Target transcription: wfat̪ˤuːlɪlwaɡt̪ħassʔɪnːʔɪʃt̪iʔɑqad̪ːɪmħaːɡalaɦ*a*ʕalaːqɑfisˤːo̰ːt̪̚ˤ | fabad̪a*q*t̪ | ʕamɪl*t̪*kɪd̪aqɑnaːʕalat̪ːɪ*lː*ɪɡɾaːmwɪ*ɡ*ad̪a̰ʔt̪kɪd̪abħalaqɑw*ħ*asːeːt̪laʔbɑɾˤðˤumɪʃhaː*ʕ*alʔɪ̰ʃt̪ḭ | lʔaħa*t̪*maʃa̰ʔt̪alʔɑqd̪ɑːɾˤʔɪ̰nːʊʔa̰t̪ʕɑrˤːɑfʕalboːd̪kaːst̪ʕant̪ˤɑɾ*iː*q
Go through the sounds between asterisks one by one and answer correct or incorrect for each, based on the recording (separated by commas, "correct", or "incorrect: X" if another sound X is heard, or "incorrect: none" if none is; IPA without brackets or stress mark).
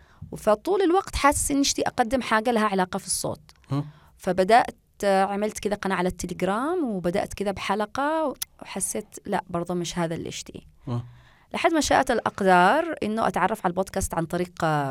correct, incorrect: ʔ, correct, incorrect: l, incorrect: b, correct, incorrect: ð, incorrect: d̪, correct